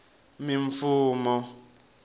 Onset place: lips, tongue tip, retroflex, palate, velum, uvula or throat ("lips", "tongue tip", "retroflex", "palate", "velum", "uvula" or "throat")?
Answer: lips